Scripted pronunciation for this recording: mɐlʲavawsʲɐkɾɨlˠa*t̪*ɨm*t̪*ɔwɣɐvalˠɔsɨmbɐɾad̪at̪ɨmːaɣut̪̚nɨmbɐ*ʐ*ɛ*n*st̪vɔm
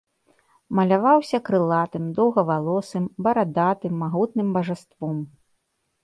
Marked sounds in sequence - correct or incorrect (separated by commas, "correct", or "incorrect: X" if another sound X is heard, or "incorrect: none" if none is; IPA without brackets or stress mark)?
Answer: correct, incorrect: d̪, correct, incorrect: none